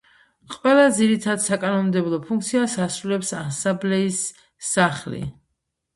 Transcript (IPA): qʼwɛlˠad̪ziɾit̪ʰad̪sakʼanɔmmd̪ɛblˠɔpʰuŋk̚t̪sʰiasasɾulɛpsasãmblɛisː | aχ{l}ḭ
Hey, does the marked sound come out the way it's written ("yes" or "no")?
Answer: yes